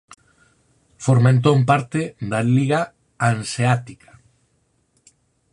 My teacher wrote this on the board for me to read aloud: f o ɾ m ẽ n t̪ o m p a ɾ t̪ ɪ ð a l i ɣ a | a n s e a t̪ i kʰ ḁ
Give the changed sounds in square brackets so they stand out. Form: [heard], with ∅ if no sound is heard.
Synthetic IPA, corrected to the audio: f o ɾ m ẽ n t̪ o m p a ɾ t̪ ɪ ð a l i ɣ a | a n s e a t̪ i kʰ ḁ